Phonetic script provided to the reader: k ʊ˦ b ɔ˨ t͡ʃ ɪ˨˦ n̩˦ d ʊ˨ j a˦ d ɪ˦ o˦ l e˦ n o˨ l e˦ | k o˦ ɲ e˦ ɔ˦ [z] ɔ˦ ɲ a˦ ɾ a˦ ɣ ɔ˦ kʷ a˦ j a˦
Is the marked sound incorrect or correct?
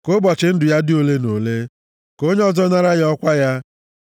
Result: correct